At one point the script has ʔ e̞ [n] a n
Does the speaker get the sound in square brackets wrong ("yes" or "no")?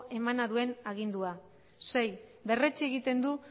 yes